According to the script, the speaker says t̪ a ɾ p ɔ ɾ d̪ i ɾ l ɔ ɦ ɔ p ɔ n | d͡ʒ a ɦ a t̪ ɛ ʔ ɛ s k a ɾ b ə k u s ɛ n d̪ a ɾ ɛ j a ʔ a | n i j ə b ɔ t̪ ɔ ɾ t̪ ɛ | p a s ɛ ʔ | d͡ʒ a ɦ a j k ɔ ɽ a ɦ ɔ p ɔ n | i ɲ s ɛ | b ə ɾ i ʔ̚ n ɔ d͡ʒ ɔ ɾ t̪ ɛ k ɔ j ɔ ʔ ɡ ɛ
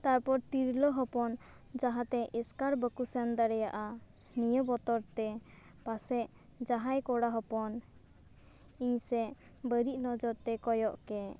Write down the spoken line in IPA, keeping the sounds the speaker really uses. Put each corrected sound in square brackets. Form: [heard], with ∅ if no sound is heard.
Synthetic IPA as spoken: t̪ a ɾ p ɔ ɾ [t̪] i ɾ l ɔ ɦ ɔ p ɔ n | d͡ʒ a ɦ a t̪ ɛ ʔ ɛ s k a ɾ b ə k u s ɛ n d̪ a ɾ ɛ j a ʔ a | n i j ə b ɔ t̪ ɔ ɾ t̪ ɛ | p a s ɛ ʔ | d͡ʒ a ɦ a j k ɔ ɽ a ɦ ɔ p ɔ n | i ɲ s ɛ | b ə ɾ i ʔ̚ n ɔ d͡ʒ ɔ ɾ t̪ ɛ k ɔ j ɔ ʔ [k] ɛ